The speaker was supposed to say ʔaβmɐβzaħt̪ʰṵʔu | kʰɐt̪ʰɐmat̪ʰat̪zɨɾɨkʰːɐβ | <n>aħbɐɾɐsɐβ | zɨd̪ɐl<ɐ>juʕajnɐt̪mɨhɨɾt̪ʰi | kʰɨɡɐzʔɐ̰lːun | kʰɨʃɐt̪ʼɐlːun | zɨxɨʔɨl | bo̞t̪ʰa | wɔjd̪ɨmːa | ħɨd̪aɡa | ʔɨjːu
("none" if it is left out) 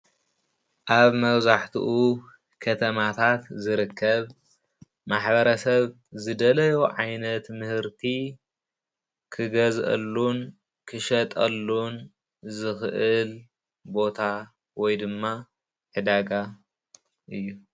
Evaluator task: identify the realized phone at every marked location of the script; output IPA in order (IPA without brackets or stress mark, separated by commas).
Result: m, ɐ